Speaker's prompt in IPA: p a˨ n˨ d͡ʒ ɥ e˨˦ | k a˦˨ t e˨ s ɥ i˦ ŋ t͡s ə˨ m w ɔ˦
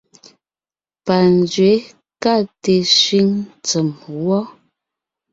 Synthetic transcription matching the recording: p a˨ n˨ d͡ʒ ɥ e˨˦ | k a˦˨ t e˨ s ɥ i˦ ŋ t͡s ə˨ m w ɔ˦